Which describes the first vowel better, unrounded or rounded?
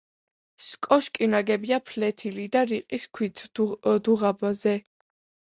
rounded